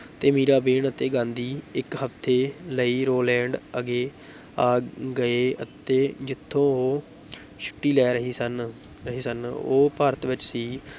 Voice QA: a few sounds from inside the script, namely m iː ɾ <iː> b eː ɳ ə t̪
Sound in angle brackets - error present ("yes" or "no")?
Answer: yes